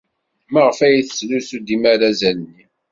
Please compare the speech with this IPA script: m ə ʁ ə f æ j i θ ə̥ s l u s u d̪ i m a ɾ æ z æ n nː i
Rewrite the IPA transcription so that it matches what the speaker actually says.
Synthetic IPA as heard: m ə ʁ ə f æ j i θ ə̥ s l u s u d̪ i m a ɾ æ z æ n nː i